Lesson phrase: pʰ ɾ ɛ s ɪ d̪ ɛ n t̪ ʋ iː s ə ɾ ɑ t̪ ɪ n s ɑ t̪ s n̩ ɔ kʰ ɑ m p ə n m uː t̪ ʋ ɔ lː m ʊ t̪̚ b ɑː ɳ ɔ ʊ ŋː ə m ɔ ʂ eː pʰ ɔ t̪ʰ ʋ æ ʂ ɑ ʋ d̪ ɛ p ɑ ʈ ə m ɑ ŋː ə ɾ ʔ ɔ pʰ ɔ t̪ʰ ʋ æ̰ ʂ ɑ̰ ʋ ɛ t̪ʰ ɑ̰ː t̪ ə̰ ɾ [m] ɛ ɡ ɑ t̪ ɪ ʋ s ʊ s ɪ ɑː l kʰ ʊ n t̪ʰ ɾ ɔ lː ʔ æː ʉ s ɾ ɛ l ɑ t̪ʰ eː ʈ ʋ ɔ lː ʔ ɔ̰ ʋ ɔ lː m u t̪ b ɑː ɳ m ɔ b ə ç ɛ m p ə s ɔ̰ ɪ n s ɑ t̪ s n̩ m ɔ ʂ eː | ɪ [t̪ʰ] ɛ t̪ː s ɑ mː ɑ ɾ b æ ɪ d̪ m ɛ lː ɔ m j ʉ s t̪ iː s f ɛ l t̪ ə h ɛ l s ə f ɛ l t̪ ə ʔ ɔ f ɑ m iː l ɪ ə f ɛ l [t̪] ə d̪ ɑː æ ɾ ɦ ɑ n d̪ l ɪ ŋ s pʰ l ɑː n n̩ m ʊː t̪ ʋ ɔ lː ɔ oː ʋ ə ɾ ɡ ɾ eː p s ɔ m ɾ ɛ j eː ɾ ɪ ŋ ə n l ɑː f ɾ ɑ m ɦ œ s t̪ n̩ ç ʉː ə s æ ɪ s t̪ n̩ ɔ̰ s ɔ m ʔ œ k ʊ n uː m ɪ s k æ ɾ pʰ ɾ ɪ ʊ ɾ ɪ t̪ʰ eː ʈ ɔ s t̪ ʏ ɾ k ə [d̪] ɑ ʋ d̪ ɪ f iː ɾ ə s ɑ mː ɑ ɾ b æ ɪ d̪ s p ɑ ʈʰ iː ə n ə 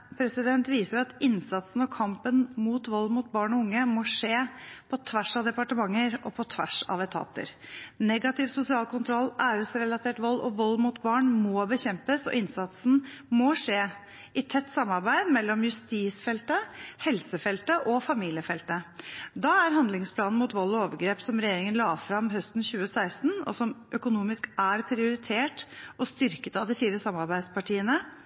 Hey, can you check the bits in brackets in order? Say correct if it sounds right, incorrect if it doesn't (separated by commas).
incorrect, correct, correct, incorrect